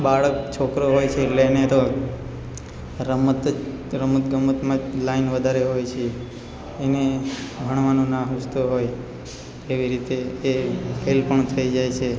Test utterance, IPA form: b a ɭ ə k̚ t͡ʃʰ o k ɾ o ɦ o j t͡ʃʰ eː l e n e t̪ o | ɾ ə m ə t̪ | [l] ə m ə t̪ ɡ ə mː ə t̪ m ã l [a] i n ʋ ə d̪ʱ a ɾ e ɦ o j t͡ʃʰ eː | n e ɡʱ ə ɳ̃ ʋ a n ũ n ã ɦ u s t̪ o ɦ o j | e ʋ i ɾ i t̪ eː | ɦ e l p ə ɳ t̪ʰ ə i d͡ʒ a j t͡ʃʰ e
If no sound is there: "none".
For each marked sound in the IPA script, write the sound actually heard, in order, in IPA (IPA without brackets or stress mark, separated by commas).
ɾ, a